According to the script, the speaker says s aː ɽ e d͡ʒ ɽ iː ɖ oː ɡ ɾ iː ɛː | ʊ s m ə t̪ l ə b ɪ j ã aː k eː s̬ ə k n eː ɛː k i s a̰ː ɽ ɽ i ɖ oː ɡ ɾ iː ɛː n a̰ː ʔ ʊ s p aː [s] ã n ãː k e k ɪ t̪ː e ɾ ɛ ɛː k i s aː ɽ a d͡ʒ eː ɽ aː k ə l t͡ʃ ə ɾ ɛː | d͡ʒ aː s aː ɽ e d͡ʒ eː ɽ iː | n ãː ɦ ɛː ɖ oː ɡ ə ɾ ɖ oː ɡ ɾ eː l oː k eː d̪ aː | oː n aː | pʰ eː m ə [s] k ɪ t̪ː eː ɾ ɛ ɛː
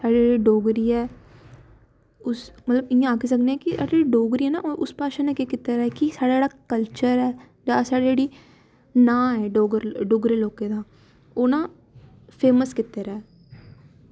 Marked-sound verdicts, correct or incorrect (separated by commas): incorrect, correct